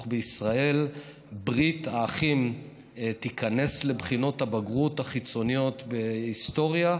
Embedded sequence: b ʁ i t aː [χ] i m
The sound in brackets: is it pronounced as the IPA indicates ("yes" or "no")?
yes